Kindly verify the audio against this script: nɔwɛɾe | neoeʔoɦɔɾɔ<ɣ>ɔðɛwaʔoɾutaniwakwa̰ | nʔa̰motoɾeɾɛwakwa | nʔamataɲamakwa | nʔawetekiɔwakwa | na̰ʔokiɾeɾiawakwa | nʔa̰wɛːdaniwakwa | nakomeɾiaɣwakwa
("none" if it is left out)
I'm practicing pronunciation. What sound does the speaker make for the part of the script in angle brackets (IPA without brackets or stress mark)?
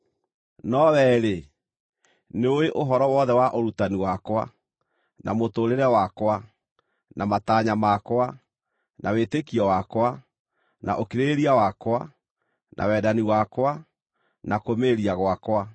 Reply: w